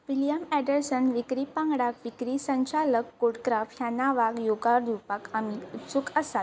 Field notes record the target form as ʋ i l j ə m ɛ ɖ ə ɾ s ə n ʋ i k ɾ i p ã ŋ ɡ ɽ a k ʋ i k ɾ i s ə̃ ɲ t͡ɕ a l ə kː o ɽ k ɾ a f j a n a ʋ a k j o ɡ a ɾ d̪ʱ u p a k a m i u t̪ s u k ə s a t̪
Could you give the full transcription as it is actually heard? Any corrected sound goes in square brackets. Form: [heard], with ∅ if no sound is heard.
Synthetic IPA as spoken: ʋ i l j ə m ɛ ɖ ə ɾ s ə n ʋ i k ɾ i p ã ŋ ɡ ɽ a k ʋ i k ɾ i s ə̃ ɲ t͡ɕ a l ə kː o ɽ k ɾ a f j a n a ʋ a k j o ɡ a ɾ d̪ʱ u p a k a m i u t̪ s u k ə s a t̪